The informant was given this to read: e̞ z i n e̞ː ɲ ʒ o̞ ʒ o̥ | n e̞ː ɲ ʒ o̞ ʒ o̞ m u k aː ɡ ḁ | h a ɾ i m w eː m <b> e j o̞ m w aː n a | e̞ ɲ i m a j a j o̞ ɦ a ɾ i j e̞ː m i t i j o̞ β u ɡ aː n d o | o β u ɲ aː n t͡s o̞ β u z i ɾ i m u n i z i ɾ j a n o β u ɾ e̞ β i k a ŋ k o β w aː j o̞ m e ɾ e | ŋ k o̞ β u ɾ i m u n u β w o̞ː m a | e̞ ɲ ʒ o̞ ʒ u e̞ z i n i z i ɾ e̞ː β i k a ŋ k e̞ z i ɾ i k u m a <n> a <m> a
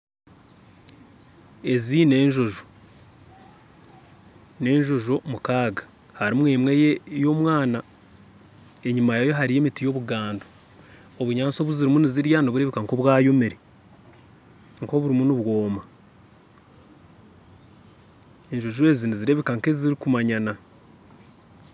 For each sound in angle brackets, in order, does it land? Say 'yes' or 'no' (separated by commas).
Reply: no, no, no